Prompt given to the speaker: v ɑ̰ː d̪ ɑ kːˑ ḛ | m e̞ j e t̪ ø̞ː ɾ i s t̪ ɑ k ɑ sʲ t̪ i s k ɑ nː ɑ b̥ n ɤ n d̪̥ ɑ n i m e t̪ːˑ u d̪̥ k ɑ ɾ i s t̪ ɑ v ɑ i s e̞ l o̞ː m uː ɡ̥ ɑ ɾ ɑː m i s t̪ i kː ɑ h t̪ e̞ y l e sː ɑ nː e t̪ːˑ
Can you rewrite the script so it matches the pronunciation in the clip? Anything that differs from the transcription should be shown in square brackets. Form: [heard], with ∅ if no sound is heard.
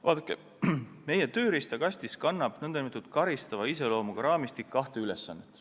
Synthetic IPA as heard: v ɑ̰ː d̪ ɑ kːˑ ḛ | m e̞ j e t̪ ø̞ː ɾ i s t̪ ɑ k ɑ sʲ t̪ i s k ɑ nː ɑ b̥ n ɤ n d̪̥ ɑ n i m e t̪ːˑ u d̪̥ k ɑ ɾ i s t̪ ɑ v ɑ i s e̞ l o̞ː m [u] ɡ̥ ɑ ɾ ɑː m i s t̪ i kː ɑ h t̪ e̞ y l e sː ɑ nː e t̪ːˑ